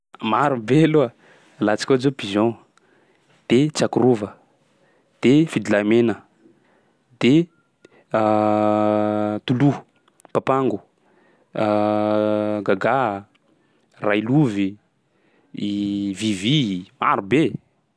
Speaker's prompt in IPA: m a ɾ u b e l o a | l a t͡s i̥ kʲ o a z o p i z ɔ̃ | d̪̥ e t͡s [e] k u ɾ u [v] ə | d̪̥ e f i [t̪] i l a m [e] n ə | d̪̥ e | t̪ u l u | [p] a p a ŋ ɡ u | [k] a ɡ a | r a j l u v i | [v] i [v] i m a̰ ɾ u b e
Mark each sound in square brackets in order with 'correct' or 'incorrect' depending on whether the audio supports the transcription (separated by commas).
incorrect, correct, incorrect, correct, correct, incorrect, correct, correct